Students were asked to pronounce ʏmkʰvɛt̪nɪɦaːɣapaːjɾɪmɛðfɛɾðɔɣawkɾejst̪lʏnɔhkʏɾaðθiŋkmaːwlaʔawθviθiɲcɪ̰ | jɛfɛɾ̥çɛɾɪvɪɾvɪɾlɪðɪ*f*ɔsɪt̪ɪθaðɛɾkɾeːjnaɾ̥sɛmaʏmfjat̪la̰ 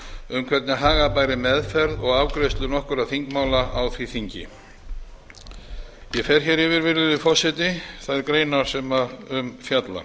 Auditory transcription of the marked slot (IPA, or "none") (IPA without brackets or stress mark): f